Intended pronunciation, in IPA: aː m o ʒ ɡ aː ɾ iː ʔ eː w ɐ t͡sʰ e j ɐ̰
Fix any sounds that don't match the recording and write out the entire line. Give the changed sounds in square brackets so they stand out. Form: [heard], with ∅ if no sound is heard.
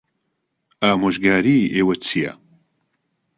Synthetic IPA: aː m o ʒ ɡ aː ɾ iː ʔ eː w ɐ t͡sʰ [i] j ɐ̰